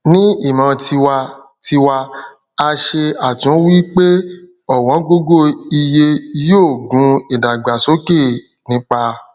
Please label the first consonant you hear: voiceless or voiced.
voiced